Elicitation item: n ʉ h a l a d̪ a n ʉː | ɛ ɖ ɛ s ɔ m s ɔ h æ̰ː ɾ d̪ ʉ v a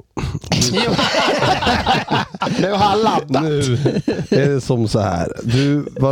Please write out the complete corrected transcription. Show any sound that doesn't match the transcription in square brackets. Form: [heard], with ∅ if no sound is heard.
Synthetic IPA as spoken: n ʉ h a l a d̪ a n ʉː | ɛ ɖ ɛ s ɔ m s ɔ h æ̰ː ɾ d̪ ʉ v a